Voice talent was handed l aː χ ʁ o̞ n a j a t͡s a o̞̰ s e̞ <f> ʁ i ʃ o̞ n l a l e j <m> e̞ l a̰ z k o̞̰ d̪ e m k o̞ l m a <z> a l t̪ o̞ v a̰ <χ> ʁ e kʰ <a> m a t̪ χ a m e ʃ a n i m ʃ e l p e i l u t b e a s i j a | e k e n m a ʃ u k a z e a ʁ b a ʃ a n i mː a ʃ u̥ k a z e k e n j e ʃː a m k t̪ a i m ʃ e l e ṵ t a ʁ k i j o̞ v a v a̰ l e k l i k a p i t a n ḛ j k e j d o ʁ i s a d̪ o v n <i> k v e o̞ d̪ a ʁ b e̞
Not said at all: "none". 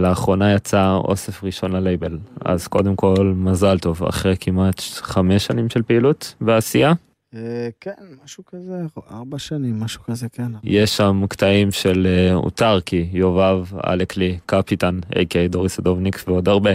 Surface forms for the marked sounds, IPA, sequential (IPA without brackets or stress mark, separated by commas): f, b, z, χ, i, i